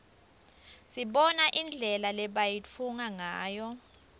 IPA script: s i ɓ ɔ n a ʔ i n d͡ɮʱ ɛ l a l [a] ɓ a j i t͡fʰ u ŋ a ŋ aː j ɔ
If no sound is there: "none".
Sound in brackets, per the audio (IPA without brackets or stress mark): ɛ